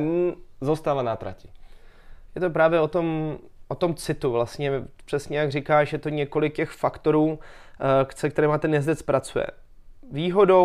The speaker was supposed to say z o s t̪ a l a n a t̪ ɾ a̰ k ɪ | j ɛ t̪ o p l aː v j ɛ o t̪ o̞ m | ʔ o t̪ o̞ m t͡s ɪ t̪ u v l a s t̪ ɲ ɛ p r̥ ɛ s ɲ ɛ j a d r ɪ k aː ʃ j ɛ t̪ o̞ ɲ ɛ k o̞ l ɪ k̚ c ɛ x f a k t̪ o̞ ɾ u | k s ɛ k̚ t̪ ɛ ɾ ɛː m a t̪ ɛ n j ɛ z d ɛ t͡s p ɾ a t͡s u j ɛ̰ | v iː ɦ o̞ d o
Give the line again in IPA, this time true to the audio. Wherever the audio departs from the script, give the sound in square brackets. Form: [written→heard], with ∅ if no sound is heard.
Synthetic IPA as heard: z o s t̪ a l a n a t̪ ɾ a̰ [k→c] ɪ | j ɛ t̪ o p [l→ɾ] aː v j ɛ o t̪ o̞ m | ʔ o t̪ o̞ m t͡s ɪ t̪ u v l a s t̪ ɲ ɛ p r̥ ɛ s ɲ ɛ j a [d→ɡ] r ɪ k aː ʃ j ɛ t̪ o̞ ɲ ɛ k o̞ l ɪ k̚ c ɛ x f a k t̪ o̞ ɾ [u→uː] | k s ɛ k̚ t̪ ɛ ɾ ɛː m a t̪ ɛ n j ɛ z d ɛ t͡s p ɾ a t͡s u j ɛ̰ | v iː ɦ o̞ d o